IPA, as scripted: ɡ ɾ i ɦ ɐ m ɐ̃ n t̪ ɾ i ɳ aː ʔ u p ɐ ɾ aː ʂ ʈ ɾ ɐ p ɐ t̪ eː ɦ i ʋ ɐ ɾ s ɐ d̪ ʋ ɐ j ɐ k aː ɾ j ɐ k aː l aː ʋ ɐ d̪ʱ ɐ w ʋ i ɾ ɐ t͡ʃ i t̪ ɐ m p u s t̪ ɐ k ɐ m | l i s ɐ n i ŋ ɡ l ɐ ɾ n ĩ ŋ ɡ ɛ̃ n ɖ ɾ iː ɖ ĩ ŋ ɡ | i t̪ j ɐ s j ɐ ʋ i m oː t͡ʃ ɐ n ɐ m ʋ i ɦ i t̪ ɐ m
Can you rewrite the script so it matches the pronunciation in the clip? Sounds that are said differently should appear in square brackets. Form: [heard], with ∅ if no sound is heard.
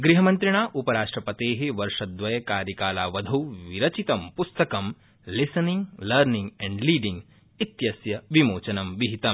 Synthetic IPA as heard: ɡ ɾ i ɦ ɐ m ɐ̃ n t̪ ɾ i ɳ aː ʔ u p ɐ ɾ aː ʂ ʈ ɾ ɐ p ɐ t̪ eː ɦ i ʋ ɐ ɾ [ʂ] ɐ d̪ ʋ ɐ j ɐ k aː ɾ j ɐ k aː l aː ʋ ɐ d̪ʱ ɐ w ʋ i ɾ ɐ t͡ʃ i t̪ ɐ m p u s t̪ ɐ k ɐ m | l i s ɐ n i ŋ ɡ l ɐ ɾ n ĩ ŋ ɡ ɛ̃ [ɳ] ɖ [l] iː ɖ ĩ ŋ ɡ | i t̪ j ɐ s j ɐ ʋ i m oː t͡ʃ ɐ n ɐ m ʋ i ɦ i t̪ ɐ m